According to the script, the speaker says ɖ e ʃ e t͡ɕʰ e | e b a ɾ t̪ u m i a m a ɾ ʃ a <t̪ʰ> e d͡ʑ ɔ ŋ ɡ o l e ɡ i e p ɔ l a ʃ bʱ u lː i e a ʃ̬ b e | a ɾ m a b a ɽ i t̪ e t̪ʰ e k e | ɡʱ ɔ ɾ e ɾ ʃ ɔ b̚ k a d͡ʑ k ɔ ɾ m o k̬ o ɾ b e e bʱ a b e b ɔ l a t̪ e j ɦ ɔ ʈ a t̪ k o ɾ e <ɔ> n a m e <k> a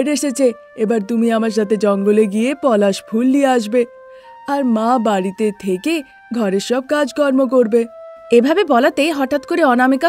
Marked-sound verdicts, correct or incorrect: incorrect: t̪, correct, correct

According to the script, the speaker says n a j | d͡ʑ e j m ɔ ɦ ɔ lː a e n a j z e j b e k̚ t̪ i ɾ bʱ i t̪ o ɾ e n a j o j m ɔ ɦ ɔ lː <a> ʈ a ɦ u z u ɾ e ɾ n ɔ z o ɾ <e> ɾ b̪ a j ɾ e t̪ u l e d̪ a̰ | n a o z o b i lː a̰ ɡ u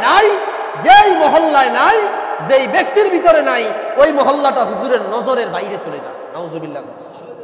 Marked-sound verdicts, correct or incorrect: correct, correct

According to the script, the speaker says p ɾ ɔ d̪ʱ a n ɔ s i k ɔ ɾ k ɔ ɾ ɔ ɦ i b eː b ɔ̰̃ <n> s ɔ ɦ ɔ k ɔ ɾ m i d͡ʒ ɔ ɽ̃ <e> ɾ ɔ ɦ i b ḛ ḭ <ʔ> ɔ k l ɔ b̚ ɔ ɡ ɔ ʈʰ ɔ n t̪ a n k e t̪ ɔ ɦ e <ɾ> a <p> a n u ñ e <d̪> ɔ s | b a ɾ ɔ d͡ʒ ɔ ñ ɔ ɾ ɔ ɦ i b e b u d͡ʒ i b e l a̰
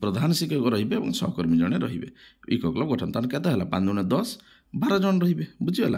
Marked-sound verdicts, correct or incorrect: incorrect: ŋ, correct, incorrect: k, incorrect: l, correct, correct

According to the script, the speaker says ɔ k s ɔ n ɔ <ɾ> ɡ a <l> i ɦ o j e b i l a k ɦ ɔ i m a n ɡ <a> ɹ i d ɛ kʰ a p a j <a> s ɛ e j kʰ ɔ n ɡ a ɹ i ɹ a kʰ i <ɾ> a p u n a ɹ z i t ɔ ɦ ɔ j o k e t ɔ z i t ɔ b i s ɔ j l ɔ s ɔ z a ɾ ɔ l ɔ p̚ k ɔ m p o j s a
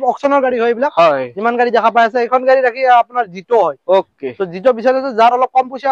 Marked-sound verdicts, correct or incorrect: incorrect: ɹ, incorrect: ɹ, correct, correct, incorrect: none

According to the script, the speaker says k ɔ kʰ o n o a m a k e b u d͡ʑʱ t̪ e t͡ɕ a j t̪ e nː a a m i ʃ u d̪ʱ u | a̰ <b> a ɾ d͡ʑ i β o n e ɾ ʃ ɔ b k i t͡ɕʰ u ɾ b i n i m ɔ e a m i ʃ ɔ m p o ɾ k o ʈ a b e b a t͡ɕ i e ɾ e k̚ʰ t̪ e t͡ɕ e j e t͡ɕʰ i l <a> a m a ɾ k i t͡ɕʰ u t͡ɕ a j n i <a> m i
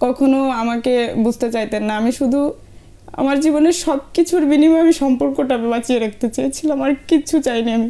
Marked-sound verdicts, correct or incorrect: incorrect: m, correct, correct

